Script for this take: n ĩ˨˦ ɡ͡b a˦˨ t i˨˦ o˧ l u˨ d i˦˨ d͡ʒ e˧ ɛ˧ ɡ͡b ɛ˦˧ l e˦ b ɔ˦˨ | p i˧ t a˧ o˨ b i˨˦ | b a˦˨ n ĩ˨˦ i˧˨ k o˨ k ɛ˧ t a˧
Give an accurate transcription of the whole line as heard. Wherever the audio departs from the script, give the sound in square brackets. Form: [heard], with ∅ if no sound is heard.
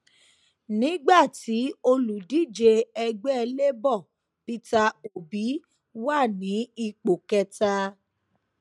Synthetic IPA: n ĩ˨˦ ɡ͡b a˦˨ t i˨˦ o˧ l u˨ d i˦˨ d͡ʒ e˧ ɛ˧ ɡ͡b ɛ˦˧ l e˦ b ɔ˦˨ | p i˧ t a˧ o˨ b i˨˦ | [w] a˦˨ n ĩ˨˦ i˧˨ [k͡p] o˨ k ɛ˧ t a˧